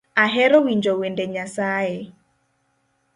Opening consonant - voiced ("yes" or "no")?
yes